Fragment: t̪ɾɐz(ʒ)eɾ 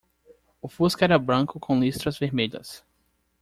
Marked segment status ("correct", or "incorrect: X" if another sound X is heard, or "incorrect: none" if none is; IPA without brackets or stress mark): incorrect: v